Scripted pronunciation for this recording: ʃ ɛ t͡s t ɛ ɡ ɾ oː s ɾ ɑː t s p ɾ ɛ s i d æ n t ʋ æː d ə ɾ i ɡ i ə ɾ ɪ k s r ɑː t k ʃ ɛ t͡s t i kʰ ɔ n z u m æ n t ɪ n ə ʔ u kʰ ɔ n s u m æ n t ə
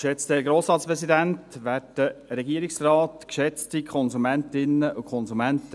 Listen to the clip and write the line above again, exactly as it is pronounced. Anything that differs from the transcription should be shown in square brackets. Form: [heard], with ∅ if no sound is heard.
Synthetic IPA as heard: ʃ ɛ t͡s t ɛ ɡ ɾ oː s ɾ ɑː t s p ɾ ɛ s i d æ n t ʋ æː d ə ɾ [ɛ] ɡ i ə ɾ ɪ k s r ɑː t k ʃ ɛ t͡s t i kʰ ɔ n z u m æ n t ɪ n ə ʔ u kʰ ɔ n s u m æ n t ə

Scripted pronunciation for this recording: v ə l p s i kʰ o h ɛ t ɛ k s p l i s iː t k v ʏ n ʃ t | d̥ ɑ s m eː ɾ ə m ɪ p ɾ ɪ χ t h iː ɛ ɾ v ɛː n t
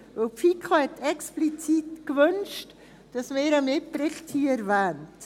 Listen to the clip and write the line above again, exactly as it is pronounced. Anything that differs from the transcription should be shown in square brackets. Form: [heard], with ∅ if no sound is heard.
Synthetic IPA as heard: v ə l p [f] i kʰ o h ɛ t ɛ k s p l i [t͡s] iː t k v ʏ n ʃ t | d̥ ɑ s m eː ɾ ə m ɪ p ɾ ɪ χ t h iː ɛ ɾ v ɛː n t

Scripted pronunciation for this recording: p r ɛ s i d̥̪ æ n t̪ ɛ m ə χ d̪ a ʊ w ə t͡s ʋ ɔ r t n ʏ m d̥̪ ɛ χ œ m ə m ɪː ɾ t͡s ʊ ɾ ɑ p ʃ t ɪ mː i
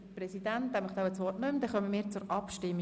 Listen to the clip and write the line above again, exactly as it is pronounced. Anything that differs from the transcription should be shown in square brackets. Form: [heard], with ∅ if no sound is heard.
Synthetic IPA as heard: p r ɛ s i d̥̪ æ n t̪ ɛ m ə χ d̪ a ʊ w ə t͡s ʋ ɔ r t n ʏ m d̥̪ ɛ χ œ m ə m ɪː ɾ t͡s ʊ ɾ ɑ p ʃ t ɪ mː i

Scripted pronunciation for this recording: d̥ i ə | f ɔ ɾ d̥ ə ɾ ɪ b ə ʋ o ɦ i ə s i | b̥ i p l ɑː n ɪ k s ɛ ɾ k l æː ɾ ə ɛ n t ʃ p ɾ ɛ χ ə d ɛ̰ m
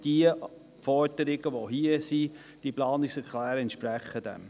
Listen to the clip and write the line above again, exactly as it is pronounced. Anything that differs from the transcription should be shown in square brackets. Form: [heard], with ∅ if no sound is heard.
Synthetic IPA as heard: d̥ i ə | f ɔ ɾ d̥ ə ɾ ɪ [ɡ] ə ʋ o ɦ i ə s i | [d̥] i p l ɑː n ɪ k s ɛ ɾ k l æː ɾ ə ɛ n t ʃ p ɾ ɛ χ ə d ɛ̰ m

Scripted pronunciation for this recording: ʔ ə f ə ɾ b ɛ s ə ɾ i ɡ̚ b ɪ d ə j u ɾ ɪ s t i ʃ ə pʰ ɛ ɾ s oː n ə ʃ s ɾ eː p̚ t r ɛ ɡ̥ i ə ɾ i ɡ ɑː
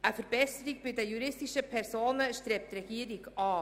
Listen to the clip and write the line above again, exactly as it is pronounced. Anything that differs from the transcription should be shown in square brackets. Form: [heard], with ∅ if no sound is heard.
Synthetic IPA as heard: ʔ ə f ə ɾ b ɛ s ə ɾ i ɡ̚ b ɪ d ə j u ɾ ɪ s t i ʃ ə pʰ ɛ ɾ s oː n ə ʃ [t] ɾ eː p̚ t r ɛ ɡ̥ i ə ɾ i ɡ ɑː

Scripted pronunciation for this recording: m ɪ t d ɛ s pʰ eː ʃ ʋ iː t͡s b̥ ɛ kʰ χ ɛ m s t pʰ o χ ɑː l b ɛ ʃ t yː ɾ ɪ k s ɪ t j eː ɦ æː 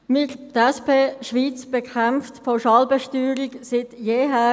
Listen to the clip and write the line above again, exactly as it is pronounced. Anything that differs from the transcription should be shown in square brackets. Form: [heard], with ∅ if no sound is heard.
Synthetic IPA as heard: m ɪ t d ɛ s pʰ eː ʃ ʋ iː t͡s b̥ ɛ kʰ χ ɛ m [f] t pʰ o [ʃ] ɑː l b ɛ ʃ t yː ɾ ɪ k s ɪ t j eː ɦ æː

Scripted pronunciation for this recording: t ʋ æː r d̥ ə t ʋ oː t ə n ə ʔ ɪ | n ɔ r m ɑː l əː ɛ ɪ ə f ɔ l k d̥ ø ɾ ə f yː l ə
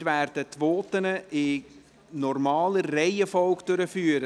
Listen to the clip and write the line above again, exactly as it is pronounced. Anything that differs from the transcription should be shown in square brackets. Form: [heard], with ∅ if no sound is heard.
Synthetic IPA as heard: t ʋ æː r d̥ ə t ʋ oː t ə n ə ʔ ɪ | n ɔ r m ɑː l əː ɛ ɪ ə f ɔ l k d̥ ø ɾ ə f yː [ɾ] ə

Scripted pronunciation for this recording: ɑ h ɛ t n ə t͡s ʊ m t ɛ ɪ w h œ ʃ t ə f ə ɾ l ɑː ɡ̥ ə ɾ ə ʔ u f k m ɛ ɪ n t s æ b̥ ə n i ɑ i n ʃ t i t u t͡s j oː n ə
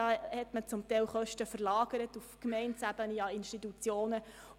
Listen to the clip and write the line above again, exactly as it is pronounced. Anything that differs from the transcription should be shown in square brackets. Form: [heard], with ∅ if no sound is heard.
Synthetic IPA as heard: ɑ h ɛ t [m] ə t͡s ʊ m t ɛ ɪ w [χ] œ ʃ t ə f ə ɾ l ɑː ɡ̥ ə ɾ ə [t] u f k m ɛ ɪ n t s æ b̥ ə n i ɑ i n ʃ t i t u t͡s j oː n ə

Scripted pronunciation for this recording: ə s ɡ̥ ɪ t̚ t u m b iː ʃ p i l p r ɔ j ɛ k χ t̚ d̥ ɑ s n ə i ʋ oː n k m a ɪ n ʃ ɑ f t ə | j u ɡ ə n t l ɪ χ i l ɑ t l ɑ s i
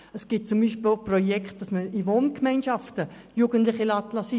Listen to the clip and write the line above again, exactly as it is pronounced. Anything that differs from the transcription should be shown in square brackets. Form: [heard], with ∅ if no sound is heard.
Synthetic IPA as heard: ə s ɡ̥ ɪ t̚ [t͡s] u m b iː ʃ p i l p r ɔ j ɛ k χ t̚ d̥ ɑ s [m] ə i ʋ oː n k m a ɪ n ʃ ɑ f t ə | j u ɡ ə n t l ɪ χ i l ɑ t l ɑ s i

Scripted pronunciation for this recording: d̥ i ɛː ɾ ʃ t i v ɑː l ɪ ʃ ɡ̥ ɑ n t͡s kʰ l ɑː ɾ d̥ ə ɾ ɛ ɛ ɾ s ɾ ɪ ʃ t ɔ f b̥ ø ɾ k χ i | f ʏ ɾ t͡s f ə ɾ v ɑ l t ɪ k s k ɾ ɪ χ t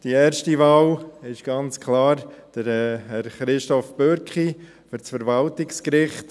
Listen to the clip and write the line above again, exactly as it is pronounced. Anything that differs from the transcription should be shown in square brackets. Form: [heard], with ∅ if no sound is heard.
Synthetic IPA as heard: d̥ i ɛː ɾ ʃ t i v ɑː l ɪ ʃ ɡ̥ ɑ n t͡s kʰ l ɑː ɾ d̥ ə ɾ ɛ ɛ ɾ [χ] ɾ ɪ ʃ t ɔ f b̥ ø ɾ k χ i | f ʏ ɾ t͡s f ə ɾ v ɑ l t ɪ k s k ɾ ɪ χ t

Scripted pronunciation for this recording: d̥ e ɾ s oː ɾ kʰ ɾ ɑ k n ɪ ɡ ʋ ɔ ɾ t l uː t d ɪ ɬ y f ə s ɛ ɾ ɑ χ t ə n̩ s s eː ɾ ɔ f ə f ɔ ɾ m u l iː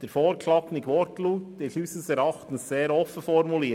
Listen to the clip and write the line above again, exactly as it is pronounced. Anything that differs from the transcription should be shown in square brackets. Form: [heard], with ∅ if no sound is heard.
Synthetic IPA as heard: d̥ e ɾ [f] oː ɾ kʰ [l] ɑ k n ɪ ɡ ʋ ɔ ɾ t l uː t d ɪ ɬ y [s] ə s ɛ ɾ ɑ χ t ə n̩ s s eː ɾ ɔ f ə f ɔ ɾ m u l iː

